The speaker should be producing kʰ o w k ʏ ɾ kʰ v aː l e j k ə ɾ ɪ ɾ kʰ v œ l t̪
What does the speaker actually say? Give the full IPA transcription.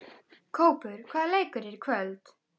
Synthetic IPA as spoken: kʰ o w p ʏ ɾ kʰ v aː l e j k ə ɾ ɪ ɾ kʰ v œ l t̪